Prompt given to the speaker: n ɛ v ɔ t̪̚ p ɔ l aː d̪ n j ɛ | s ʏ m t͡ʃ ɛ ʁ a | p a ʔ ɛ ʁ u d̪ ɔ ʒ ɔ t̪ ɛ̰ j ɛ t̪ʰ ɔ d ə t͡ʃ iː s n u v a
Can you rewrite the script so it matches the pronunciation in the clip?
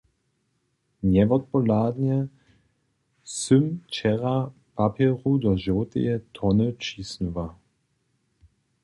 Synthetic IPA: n ɛ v ɔ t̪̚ p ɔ l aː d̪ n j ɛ | s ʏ m t͡ʃ ɛ ʁ a | p a p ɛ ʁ u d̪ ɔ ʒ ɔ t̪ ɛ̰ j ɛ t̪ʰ ɔ n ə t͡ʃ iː s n u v a